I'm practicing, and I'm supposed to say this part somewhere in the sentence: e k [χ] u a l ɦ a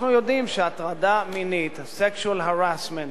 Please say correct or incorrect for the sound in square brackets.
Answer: incorrect